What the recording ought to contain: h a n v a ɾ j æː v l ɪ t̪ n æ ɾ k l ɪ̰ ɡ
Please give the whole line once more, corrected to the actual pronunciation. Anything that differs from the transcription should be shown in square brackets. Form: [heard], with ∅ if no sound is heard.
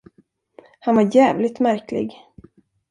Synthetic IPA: h a n v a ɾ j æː v l ɪ t̪ [m] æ ɾ k l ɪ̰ ɡ

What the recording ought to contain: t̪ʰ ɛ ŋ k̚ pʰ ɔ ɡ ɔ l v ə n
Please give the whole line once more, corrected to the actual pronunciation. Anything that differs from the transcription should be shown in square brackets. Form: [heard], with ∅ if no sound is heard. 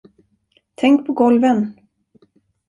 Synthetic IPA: t̪ʰ ɛ ŋ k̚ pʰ ɔ ɡ ɔ l v ə n

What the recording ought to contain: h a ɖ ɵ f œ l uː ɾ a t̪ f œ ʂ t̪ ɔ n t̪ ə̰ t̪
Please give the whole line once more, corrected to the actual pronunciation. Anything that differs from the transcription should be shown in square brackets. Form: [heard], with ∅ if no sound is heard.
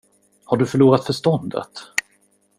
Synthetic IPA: h a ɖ ɵ f œ [ɭ] uː ɾ a t̪ f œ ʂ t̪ ɔ n [d̪] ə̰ t̪

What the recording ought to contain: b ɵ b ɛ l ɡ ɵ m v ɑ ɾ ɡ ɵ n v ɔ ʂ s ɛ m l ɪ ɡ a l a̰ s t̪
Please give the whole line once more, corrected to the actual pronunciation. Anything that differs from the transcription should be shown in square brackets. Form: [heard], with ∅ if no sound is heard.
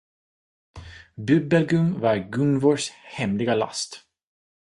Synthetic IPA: b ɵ b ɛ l ɡ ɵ m v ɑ ɾ ɡ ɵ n v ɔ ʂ [h] ɛ m l ɪ ɡ a l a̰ s t̪

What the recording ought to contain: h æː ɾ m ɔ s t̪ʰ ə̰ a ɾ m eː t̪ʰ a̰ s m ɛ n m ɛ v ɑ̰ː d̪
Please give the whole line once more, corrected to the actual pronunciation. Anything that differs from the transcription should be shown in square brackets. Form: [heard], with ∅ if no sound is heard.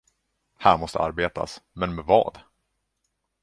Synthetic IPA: h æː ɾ m ɔ s [t̪] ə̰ a ɾ [b] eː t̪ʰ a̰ s m ɛ n m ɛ v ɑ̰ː d̪

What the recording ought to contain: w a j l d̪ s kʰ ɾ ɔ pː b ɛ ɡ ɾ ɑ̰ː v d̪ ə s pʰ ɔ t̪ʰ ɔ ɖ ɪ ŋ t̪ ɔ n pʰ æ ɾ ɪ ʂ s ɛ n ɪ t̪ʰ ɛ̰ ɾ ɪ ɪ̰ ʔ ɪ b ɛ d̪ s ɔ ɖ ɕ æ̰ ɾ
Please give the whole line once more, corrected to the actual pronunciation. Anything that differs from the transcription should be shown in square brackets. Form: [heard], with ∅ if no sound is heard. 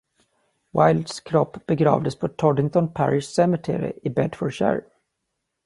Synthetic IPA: w a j l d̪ s kʰ ɾ ɔ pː b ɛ ɡ ɾ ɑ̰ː v d̪ ə s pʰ ɔ t̪ʰ ɔ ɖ ɪ ŋ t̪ ɔ n pʰ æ ɾ ɪ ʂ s ɛ [m] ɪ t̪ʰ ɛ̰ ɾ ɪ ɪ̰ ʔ ɪ b ɛ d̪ [f] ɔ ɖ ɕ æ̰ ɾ

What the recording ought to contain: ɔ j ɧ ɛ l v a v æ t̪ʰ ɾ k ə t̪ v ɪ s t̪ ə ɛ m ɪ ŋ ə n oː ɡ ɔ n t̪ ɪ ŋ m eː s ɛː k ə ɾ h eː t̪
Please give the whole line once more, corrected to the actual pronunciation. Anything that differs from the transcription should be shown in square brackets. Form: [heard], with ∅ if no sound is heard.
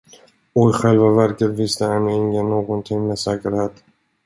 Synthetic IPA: ɔ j ɧ ɛ l v a v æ [∅] ɾ k ə t̪ v ɪ s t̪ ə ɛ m ɪ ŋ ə n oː ɡ ɔ n [t̪ʰ] ɪ ŋ m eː s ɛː k ə ɾ h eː t̪

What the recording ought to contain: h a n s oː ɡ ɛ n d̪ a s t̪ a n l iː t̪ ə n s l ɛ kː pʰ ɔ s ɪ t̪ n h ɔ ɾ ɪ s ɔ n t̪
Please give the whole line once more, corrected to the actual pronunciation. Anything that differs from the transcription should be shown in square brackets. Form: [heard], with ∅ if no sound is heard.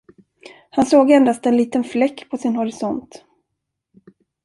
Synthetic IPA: h a n s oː ɡ ɛ n d̪ a s t̪ [ɛ] n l iː t̪ ə n [f] l ɛ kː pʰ ɔ s ɪ [∅] n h ɔ ɾ ɪ s ɔ n t̪

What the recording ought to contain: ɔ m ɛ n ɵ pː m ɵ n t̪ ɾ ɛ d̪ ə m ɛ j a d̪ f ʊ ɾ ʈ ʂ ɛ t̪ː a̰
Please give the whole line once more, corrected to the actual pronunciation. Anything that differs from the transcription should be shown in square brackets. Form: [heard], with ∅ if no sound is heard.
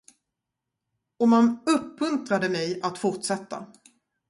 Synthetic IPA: ɔ m [a] n ɵ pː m ɵ n t̪ ɾ [a] d̪ ə m ɛ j a [t̪] f ʊ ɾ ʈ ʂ ɛ t̪ː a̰

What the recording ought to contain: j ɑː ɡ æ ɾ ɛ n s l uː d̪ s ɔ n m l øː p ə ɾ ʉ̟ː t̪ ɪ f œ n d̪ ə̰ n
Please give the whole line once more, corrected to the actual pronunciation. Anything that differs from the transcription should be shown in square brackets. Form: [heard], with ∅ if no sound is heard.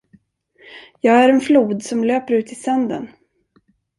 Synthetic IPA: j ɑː ɡ æ ɾ ɛ n [f] l uː d̪ s ɔ [∅] m l øː p ə ɾ ʉ̟ː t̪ ɪ [s] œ n d̪ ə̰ n

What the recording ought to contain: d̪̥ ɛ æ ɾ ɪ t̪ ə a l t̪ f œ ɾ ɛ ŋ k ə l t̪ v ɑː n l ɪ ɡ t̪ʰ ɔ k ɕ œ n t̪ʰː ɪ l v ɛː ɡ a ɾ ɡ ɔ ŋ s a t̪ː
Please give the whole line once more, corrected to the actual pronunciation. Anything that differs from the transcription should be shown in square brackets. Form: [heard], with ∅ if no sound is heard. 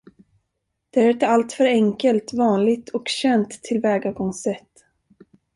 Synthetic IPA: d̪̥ ɛ æ ɾ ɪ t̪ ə a l t̪ f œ ɾ ɛ ŋ k ə l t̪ v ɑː n l ɪ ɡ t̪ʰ ɔ k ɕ [ɛ] n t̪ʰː ɪ l v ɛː ɡ a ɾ ɡ ɔ ŋ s [ɛ] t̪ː

